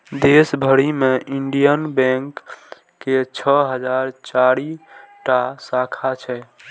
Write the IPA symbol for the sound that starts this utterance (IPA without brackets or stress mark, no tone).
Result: d̪